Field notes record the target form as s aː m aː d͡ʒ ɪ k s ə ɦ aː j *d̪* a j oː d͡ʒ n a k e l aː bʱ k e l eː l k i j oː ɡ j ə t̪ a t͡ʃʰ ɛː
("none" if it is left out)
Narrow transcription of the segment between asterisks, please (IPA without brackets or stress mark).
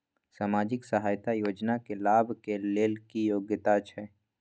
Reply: t̪